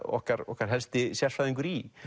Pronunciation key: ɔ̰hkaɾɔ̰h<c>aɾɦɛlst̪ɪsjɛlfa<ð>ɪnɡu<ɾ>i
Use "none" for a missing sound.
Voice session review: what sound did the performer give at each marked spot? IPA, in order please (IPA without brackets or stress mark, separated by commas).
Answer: k, ð, ɾ